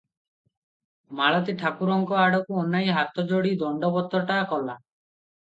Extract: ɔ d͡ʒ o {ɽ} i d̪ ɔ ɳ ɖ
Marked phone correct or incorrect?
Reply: correct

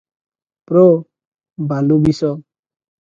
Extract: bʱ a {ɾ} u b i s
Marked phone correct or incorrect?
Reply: incorrect: l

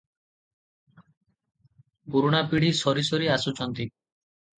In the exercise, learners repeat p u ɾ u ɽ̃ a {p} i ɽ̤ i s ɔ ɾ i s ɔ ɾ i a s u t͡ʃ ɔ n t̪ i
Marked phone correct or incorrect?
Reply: correct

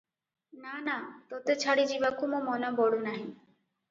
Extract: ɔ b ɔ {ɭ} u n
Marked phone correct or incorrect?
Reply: incorrect: ɽ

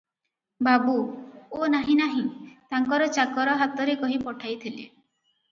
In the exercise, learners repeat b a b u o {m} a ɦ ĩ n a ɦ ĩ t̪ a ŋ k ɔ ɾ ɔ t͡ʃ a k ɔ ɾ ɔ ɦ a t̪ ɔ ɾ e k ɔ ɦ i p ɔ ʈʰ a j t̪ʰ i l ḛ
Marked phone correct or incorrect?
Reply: incorrect: n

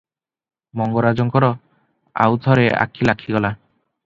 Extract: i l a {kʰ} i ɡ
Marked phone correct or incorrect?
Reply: correct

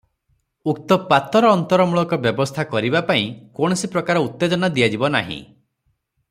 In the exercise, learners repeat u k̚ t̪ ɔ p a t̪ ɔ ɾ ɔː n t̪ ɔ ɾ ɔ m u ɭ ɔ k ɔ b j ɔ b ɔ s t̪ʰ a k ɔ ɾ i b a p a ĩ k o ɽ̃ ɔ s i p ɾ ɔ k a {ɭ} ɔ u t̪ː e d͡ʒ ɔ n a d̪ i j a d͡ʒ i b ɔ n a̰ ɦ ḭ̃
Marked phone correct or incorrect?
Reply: incorrect: ɾ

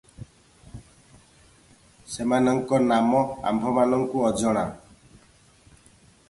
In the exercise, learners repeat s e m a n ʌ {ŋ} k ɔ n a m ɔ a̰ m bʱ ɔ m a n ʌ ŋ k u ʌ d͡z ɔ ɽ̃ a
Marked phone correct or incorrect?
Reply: correct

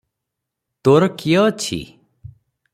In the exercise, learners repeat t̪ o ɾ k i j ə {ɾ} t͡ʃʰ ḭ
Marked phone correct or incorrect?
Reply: incorrect: none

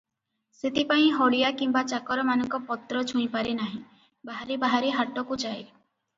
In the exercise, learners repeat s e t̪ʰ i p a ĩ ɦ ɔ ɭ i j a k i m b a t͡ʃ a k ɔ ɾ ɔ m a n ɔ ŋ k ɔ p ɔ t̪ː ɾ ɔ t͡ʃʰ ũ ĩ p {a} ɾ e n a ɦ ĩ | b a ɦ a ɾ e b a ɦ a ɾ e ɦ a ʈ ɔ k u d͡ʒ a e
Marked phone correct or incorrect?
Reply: correct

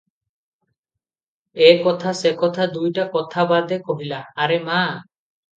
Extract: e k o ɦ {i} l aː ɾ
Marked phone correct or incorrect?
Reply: correct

